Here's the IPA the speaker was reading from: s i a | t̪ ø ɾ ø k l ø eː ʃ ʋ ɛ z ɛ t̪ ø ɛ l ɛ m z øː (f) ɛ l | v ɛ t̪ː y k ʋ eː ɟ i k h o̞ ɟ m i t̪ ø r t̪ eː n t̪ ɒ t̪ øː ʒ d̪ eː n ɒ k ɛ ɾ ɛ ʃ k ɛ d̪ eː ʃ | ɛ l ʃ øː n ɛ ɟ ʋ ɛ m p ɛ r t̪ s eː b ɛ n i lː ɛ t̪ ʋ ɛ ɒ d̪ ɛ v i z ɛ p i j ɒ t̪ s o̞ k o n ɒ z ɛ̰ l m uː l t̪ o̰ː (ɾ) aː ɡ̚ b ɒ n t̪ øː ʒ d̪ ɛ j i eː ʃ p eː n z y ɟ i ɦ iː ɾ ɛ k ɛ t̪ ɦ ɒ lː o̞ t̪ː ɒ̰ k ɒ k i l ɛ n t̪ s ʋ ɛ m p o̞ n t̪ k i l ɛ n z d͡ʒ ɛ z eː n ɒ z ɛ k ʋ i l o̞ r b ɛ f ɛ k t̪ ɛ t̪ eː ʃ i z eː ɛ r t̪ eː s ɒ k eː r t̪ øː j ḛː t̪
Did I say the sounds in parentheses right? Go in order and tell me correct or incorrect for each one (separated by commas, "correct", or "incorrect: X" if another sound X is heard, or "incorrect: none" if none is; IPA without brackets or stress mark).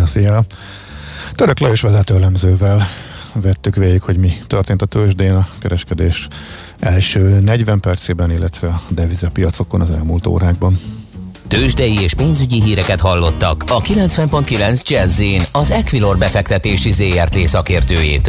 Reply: incorrect: v, correct